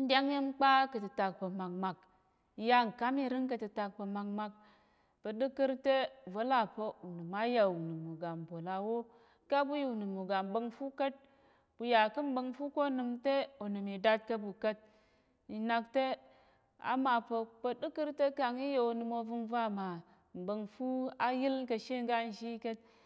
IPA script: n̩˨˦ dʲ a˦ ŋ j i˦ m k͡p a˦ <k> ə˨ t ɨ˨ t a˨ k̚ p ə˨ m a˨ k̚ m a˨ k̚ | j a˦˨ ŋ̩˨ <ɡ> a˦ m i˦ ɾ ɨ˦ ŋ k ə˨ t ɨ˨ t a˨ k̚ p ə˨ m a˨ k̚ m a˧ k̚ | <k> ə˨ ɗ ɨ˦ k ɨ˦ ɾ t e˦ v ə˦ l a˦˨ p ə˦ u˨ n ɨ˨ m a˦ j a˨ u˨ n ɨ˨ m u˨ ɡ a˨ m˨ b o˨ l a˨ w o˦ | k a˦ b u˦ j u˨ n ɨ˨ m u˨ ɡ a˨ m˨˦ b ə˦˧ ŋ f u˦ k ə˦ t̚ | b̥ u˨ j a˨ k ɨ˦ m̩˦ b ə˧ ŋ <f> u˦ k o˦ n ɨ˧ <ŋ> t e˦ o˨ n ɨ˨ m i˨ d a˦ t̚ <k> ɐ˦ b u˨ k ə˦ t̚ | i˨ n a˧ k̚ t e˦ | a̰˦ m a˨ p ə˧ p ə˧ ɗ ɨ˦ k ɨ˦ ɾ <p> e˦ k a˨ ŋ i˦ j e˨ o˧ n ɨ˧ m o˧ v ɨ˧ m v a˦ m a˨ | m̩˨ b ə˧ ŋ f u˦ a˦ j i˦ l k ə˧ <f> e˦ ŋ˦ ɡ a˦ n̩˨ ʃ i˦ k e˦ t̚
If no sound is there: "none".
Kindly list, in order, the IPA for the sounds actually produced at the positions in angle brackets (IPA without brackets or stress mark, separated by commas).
k, k, p, f, m, k, t, ʃ